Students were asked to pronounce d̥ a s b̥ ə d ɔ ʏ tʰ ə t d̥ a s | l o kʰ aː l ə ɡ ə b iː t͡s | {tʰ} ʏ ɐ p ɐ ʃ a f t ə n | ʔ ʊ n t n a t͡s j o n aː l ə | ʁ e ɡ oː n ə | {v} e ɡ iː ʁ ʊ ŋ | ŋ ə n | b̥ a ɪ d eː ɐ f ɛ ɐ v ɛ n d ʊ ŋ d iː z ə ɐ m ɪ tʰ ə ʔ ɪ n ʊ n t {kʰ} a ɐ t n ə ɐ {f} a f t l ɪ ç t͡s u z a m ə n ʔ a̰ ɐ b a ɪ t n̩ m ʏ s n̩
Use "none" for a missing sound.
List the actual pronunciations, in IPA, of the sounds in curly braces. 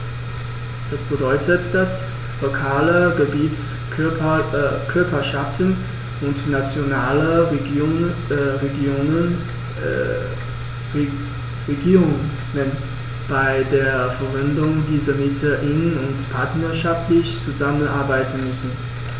kʰ, ʁ, pʰ, ʃ

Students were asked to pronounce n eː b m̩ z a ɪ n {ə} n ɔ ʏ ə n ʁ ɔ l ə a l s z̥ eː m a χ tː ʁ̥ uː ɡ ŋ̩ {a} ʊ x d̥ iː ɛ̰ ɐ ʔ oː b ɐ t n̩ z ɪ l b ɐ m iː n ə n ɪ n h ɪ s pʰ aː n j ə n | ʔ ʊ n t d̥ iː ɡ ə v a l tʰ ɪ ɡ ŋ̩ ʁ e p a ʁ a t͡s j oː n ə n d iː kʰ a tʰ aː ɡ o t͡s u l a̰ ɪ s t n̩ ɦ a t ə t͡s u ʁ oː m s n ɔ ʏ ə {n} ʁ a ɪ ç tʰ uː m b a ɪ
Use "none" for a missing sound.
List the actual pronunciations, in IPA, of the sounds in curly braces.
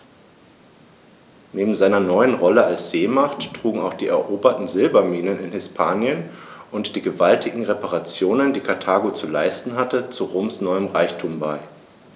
ɐ, a, m

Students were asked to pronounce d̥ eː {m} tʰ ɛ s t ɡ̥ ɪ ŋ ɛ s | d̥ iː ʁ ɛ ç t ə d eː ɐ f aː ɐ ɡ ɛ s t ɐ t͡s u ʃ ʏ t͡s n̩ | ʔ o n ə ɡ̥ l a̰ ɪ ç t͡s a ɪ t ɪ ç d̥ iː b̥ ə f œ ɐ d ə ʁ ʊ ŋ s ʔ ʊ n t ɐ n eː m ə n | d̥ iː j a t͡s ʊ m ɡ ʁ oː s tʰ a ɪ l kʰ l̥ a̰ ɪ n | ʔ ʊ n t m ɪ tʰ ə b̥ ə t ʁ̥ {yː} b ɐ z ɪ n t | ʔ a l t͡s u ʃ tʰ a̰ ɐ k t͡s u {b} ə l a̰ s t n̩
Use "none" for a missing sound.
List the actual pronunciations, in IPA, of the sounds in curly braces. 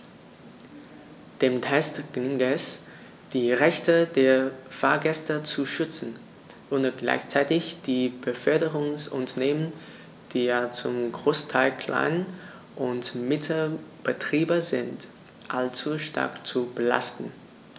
m, iː, b

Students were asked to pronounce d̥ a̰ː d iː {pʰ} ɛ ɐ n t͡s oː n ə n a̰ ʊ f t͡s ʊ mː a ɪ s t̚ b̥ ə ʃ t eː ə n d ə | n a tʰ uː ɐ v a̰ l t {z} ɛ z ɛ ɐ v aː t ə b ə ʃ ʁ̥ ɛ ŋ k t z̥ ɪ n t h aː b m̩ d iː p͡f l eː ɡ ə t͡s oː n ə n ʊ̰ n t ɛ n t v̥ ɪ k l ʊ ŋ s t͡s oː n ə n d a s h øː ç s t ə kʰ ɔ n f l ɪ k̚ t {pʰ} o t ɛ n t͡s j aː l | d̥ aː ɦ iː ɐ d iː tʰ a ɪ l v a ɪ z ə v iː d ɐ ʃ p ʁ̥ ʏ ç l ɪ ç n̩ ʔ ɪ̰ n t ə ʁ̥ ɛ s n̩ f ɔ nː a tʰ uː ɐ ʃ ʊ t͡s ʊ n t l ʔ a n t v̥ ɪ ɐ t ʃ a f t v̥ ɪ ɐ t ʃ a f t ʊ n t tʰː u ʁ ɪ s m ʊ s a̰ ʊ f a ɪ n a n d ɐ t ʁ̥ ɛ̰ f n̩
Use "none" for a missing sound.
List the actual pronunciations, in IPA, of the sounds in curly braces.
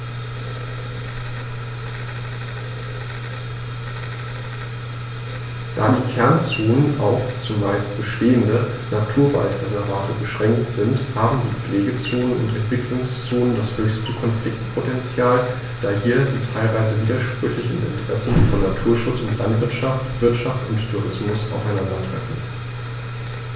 kʰ, ʁ, pʰ

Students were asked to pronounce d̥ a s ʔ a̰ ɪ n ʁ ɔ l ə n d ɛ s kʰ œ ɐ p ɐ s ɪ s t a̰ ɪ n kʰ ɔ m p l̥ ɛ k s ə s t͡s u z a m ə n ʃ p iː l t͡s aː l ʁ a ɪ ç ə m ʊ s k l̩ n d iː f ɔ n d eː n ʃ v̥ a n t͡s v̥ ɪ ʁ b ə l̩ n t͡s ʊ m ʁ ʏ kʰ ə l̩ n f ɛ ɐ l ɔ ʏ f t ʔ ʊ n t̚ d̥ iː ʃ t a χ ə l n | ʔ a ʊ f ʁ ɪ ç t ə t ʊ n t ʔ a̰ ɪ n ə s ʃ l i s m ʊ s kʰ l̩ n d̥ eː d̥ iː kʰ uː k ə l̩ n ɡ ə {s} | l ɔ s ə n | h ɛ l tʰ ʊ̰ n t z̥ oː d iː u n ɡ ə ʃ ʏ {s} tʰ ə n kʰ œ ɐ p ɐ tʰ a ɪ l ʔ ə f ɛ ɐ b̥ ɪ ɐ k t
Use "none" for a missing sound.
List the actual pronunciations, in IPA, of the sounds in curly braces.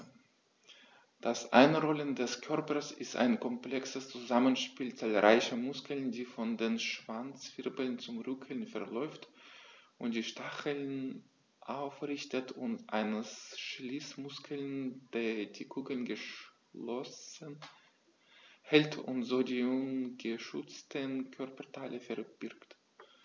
ʃ, t͡s

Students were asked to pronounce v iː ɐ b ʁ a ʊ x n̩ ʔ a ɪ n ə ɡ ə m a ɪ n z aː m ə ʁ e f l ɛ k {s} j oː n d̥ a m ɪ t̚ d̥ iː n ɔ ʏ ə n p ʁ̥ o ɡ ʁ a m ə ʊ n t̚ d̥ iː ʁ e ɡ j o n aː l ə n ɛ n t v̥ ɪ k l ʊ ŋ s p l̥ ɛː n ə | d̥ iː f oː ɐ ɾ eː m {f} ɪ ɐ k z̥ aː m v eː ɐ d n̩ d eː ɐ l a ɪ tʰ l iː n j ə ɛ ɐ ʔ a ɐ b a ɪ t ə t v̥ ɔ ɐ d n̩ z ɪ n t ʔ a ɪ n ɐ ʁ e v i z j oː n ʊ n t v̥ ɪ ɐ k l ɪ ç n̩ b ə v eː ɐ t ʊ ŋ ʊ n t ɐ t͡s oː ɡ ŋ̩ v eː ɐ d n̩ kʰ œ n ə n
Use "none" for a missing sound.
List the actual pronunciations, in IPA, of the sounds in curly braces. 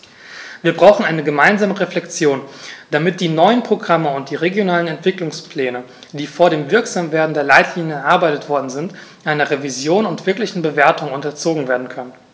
t͡s, v

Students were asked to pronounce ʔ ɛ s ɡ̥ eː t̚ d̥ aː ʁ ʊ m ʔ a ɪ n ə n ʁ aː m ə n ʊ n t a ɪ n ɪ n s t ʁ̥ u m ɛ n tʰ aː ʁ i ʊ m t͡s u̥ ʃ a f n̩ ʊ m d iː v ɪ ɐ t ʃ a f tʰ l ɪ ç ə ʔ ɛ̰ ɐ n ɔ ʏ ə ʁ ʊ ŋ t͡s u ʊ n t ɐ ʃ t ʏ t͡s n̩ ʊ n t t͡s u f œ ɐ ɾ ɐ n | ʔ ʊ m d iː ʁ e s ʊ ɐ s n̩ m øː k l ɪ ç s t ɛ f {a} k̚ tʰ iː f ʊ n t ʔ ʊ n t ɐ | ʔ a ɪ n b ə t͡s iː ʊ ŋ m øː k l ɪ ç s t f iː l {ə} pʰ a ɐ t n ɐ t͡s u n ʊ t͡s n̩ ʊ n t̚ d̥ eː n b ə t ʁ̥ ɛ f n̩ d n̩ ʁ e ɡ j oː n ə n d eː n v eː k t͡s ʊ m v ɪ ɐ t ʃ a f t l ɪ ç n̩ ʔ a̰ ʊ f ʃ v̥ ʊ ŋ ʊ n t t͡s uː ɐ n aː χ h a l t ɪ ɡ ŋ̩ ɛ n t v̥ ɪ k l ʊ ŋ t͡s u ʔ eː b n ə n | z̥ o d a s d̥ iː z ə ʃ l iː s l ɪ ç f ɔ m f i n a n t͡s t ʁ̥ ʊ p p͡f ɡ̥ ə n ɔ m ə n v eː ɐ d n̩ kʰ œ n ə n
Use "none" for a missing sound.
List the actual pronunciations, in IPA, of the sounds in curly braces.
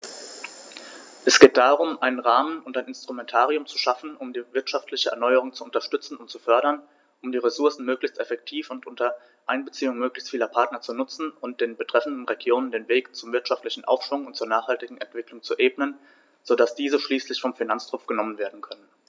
ɛ, ɐ

